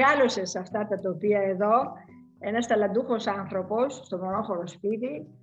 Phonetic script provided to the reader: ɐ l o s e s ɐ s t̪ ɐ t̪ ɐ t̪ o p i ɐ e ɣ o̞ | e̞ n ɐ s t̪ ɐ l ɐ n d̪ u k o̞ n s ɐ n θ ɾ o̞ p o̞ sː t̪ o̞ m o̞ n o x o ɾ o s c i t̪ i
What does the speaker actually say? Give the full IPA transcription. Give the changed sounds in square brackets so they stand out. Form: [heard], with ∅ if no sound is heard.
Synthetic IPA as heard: ɐ l o s e s ɐ [f] t̪ ɐ t̪ ɐ t̪ o p i ɐ e [ð] o̞ | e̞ n ɐ s t̪ ɐ l ɐ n d̪ u [x] o̞ [∅] s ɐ n θ ɾ o̞ p o̞ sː t̪ o̞ m o̞ n o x o ɾ o s [p] i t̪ i